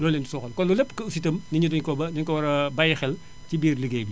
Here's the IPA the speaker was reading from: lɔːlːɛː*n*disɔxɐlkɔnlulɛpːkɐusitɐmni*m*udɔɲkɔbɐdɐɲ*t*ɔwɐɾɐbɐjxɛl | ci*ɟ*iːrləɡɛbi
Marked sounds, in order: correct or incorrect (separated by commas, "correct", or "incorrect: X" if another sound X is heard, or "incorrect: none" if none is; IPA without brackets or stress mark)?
correct, incorrect: ɲ, incorrect: k, incorrect: b